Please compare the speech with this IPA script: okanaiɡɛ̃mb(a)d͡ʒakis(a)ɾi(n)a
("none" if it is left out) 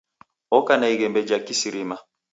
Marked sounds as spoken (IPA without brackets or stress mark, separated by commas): ɛ, i, m